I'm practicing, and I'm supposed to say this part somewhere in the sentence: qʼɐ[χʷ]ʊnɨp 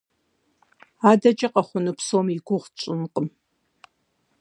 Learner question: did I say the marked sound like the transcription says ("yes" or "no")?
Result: yes